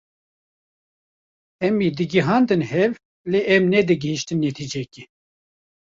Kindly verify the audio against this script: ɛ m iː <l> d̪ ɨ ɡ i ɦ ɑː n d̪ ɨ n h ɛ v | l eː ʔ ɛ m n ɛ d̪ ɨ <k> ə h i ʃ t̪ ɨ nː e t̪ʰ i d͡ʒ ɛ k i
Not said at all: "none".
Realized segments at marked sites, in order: none, ɡ

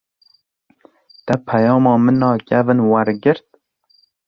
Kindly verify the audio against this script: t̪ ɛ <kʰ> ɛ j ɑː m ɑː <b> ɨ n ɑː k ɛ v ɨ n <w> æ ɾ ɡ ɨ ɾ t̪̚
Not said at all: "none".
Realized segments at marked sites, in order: pʰ, m, w

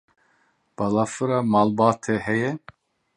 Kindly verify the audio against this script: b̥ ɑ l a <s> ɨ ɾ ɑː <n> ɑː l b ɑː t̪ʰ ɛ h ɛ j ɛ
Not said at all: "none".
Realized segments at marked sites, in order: f, m

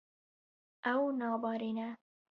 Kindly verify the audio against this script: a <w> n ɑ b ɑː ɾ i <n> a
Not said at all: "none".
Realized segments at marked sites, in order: w, n

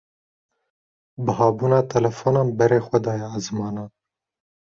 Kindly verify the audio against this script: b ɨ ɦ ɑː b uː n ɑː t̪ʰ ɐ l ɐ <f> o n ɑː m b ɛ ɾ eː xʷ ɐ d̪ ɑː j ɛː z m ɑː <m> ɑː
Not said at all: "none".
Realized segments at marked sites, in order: f, n

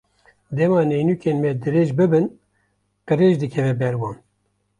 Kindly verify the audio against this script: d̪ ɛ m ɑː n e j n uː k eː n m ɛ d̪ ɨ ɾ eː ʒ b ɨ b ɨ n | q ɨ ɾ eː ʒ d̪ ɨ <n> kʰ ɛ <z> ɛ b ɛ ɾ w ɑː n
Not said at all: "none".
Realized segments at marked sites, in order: none, v

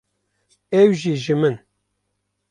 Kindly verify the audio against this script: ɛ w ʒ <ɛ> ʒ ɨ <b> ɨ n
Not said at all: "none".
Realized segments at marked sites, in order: i, m

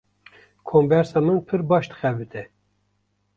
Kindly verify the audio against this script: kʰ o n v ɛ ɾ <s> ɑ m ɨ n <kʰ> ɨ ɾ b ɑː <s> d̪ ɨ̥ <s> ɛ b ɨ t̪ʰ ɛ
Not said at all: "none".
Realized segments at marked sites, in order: s, pʰ, ʃ, x

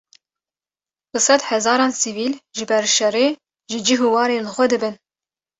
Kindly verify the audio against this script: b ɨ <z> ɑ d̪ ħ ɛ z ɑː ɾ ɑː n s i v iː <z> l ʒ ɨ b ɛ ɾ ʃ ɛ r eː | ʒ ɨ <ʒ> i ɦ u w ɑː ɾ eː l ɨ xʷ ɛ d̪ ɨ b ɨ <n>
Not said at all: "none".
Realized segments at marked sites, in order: s, none, d͡ʒ, n

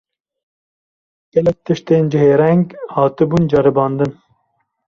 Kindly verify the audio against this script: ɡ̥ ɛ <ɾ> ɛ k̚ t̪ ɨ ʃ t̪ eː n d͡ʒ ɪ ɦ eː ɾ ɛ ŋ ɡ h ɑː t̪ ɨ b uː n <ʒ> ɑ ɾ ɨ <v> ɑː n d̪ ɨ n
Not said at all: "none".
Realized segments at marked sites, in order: l, d͡ʒ, b

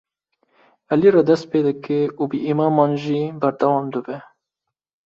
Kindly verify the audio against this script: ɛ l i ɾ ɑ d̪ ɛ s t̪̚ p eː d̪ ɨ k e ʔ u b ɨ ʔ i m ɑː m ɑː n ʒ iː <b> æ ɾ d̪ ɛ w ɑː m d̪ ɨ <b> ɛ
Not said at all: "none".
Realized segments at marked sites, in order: b, b

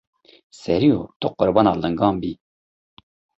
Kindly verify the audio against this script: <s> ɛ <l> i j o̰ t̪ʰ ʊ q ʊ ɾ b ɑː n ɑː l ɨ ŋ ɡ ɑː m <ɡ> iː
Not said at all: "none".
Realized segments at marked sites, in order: s, ɾ, b

